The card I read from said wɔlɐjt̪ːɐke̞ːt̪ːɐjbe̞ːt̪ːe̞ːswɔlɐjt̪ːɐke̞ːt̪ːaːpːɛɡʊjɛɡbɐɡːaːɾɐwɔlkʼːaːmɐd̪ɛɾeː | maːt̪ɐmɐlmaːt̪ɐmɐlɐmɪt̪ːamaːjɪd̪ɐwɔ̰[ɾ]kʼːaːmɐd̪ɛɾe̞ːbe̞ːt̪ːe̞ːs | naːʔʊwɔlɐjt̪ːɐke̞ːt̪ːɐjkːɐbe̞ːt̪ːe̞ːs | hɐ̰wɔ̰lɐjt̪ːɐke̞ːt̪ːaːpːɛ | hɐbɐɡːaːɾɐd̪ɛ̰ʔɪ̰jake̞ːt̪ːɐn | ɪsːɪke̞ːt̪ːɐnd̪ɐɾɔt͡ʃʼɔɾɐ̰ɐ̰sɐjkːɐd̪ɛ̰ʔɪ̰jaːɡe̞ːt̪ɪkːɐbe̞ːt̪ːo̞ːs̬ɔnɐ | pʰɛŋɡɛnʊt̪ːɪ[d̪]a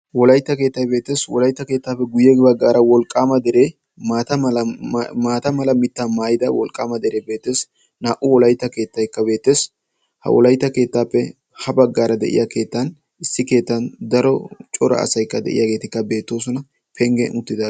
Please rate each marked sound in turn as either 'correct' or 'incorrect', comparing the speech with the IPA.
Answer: incorrect: l, correct

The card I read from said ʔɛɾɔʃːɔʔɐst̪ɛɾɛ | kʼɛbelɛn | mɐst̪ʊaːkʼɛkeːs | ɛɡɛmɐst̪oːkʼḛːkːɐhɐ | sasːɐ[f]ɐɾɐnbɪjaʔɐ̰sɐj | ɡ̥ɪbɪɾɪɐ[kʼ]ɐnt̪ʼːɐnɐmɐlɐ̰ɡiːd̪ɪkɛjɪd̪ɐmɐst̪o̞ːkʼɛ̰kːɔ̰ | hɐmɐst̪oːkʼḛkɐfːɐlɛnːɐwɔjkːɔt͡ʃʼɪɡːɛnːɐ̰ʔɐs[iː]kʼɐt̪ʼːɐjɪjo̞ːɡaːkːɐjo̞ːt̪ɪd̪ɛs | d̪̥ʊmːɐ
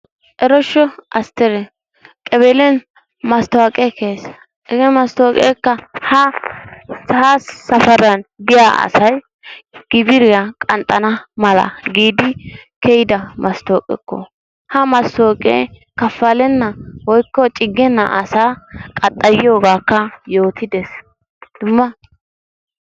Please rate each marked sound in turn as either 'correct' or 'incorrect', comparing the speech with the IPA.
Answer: correct, correct, incorrect: aː

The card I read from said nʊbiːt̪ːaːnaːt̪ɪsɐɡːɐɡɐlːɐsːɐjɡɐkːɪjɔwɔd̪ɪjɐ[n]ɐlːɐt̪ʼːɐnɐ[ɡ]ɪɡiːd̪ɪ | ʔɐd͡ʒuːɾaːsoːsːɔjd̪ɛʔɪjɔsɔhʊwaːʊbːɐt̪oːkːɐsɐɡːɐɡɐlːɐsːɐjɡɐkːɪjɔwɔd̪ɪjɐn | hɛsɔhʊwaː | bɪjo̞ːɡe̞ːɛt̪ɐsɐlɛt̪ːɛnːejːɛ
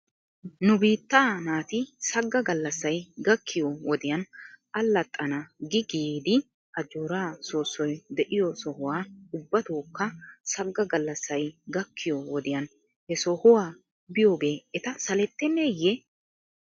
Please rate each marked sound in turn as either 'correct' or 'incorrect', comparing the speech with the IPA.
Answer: correct, correct

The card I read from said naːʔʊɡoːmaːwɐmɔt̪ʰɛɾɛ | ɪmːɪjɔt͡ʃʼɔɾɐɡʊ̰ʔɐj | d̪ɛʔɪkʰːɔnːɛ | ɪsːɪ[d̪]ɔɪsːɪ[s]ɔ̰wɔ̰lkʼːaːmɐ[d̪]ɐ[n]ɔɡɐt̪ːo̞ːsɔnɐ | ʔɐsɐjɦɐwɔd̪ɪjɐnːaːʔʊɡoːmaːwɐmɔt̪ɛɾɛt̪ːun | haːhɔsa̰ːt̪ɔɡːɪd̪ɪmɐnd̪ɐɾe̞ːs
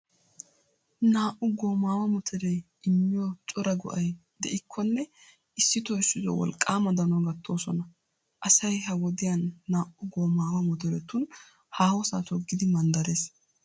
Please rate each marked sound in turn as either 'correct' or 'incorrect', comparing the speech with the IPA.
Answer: incorrect: t̪, incorrect: z, correct, correct

